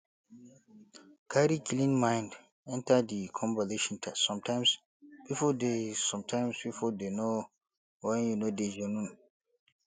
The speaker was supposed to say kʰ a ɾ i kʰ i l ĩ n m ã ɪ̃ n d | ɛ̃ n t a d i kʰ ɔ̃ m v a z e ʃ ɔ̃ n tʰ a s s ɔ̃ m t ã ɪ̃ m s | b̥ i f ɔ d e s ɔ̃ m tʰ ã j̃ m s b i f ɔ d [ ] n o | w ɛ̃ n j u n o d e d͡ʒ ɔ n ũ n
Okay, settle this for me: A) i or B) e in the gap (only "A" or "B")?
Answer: B